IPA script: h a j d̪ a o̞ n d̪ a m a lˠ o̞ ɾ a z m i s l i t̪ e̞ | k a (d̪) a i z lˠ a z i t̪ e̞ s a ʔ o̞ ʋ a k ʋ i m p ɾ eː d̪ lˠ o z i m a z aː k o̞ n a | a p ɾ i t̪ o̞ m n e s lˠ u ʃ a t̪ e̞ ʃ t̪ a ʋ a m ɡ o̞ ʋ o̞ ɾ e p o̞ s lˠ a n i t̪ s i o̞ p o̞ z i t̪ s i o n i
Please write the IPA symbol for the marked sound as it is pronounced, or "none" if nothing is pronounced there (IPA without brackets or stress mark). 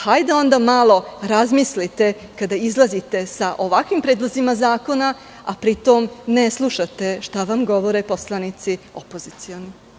d̪